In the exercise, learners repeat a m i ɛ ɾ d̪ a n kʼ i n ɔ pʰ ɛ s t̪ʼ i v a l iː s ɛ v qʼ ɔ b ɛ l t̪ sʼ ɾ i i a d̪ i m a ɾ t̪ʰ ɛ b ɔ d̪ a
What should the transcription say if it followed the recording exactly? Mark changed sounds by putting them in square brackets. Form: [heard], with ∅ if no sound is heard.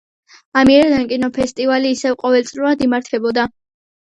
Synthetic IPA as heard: a m i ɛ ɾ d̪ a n kʼ i n ɔ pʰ ɛ s t̪ʼ i v a l iː s ɛ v qʼ ɔ [v] ɛ l t̪ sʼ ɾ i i a d̪ i m a ɾ t̪ʰ ɛ b ɔ d̪ a

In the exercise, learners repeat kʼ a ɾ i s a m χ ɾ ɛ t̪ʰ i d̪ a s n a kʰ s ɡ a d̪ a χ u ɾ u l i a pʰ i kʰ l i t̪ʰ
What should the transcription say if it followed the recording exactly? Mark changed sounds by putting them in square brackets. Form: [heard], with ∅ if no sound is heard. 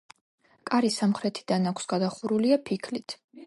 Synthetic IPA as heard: kʼ a ɾ i s a m χ ɾ ɛ t̪ʰ i d̪ a [∅] n a kʰ s ɡ a d̪ a χ u ɾ u l i a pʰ i kʰ l i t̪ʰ

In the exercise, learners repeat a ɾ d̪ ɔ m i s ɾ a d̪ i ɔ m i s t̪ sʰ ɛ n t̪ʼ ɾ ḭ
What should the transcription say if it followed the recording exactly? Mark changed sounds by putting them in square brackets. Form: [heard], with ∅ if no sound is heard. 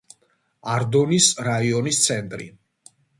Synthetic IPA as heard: a ɾ d̪ ɔ [n] i s ɾ a [∅] i ɔ [n] i s t̪ sʰ ɛ n t̪ʼ ɾ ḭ

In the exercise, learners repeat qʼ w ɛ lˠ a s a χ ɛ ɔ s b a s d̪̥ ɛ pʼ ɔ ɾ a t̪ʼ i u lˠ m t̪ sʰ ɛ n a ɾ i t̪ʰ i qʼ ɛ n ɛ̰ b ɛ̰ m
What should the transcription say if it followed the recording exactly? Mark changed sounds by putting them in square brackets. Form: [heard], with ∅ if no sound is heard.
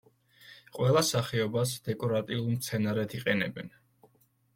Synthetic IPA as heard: qʼ w ɛ lˠ a s a χ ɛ ɔ [∅] b a s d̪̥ ɛ [kʼ] ɔ ɾ a t̪ʼ i u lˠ m t̪ sʰ ɛ n a ɾ [ɛ] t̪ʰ i qʼ ɛ n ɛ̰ b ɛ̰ [n]

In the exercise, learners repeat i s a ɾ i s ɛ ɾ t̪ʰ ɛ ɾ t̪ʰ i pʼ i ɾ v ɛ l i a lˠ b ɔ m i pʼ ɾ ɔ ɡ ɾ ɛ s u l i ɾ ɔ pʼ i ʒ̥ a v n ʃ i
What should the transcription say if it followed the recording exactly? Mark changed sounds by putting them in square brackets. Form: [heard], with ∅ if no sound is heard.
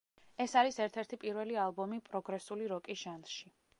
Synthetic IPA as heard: [ɛ] s a ɾ i s ɛ ɾ t̪ʰ ɛ ɾ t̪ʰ i pʼ i ɾ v ɛ l i a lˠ b ɔ m i pʼ ɾ ɔ ɡ ɾ ɛ s u l i ɾ ɔ [kʼ] i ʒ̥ a [∅] n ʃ i

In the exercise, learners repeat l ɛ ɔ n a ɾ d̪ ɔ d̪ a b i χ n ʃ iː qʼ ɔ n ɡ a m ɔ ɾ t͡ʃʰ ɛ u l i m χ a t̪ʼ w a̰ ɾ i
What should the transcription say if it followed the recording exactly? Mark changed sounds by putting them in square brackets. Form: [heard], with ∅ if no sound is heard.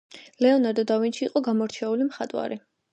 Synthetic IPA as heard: l ɛ ɔ n a ɾ d̪ ɔ d̪ a [v] i [∅] n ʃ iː qʼ ɔ [∅] ɡ a m ɔ ɾ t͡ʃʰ ɛ u l i m χ a t̪ʼ w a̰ ɾ i

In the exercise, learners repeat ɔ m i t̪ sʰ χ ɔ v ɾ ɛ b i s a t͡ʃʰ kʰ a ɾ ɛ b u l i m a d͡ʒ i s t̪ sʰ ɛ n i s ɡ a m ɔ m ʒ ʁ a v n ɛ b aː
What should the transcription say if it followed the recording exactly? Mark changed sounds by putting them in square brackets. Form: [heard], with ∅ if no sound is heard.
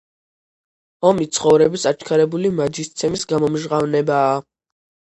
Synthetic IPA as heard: ɔ m i t̪ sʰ χ ɔ v ɾ ɛ b i s a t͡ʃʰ kʰ a ɾ ɛ b u l i m a d͡ʒ i s t̪ sʰ ɛ [m] i s ɡ a m ɔ m ʒ ʁ a v n ɛ b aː

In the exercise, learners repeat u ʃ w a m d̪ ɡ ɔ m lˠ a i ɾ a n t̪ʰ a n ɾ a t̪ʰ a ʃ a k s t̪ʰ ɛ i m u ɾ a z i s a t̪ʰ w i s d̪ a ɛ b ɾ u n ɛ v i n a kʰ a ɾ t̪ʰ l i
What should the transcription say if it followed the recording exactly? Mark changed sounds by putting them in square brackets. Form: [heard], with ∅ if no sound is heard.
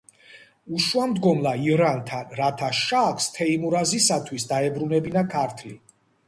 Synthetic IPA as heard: u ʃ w a m d̪ ɡ ɔ m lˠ a i ɾ a n t̪ʰ a n ɾ a t̪ʰ a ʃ a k s t̪ʰ ɛ i m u ɾ a z i s a t̪ʰ w i s d̪ a ɛ b ɾ u n ɛ [b] i n a kʰ a ɾ t̪ʰ l i

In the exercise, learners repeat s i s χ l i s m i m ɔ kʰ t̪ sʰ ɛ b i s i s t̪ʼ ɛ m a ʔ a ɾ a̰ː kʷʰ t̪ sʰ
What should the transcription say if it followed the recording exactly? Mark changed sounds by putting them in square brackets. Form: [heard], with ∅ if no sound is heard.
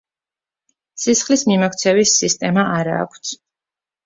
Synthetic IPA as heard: s i s χ l i s m i m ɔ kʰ t̪ sʰ ɛ [v] i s i s t̪ʼ ɛ m a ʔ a ɾ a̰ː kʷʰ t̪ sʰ

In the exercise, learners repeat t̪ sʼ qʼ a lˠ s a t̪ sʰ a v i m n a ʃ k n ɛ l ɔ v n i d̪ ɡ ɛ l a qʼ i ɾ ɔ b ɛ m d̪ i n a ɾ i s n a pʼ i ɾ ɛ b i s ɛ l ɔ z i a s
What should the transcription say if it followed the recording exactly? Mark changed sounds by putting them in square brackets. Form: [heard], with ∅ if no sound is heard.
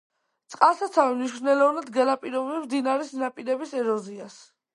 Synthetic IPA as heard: t̪ sʼ qʼ a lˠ s a t̪ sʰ a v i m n [i] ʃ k n ɛ l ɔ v n [a] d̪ ɡ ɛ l a [pʼ] i ɾ ɔ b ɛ m d̪ i n a ɾ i s n a pʼ i ɾ ɛ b i s ɛ [ɾ] ɔ z i a s

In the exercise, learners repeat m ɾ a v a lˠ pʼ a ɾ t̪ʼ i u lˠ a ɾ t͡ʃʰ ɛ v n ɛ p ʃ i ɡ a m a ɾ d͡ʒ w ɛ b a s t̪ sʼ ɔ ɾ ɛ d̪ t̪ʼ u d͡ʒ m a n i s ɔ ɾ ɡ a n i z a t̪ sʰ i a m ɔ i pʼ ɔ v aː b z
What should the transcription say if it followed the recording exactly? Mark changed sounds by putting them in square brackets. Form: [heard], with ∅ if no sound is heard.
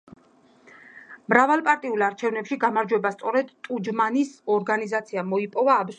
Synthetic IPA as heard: m ɾ a v a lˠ pʼ a ɾ t̪ʼ i u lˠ a ɾ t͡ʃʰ ɛ v n ɛ p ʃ i ɡ a m a ɾ d͡ʒ w ɛ b a s t̪ sʼ ɔ ɾ ɛ d̪ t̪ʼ u d͡ʒ m a n i s ɔ ɾ ɡ a n i z a t̪ sʰ i a m ɔ i pʼ ɔ v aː b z

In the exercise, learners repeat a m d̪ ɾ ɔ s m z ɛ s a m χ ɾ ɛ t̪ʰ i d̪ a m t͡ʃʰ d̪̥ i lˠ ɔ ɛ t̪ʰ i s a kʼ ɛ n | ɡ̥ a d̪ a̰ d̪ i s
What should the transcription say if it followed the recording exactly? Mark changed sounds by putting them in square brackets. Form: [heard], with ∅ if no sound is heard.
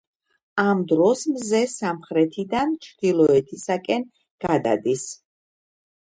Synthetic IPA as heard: a m d̪ ɾ ɔ s m z ɛ s a m χ ɾ ɛ t̪ʰ i d̪ a [n] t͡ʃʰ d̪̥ i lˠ ɔ ɛ t̪ʰ i s a kʼ ɛ n | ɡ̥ a d̪ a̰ d̪ i s

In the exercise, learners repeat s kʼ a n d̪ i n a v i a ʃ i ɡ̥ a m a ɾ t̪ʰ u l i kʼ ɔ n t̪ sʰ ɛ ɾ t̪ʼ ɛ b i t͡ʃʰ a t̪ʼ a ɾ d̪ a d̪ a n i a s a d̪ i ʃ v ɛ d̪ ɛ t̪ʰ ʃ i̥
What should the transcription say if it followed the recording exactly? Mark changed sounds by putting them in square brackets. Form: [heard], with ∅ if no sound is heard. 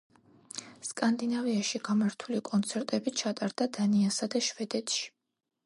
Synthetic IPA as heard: s kʼ a n d̪ i n a v i a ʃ i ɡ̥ a m a ɾ t̪ʰ u l i kʼ ɔ n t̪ sʰ ɛ ɾ t̪ʼ ɛ b i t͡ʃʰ a t̪ʼ a ɾ d̪ a d̪ a n i a s a d̪ [a] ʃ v ɛ d̪ ɛ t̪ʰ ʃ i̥

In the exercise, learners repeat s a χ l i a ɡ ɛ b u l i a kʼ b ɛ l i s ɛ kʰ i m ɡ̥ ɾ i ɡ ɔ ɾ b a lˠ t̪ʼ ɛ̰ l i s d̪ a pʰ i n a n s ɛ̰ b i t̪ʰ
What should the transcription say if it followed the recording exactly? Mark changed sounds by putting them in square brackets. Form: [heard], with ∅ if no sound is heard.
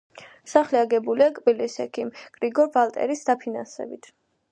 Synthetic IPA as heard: s a χ l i a ɡ ɛ b u l i a kʼ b [i] l i s ɛ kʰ i m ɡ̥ ɾ i ɡ ɔ ɾ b a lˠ t̪ʼ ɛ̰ [ɾ] i s d̪ a pʰ i n a n s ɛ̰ b i t̪ʰ

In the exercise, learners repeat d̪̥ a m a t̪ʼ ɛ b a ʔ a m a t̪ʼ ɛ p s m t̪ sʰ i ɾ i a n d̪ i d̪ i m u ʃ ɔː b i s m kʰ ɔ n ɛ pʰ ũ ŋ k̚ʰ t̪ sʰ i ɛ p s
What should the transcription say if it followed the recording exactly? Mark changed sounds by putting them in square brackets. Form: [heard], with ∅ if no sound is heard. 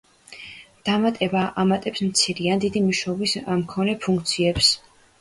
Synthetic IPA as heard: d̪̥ a m a t̪ʼ ɛ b a ʔ a m a t̪ʼ ɛ p s m t̪ sʰ i ɾ i a n d̪ i d̪ i m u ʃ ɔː b i s m kʰ ɔ n ɛ pʰ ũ ŋ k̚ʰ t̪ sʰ i ɛ p s

